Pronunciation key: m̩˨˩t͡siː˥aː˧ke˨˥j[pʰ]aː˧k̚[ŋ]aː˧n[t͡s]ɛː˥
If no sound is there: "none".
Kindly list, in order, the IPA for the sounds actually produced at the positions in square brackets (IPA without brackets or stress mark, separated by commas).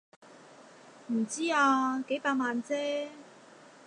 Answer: p, m, t͡s